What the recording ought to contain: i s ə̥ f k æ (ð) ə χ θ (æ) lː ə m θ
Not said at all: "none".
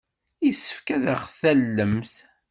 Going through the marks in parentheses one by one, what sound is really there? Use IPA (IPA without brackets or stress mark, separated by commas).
ð, æ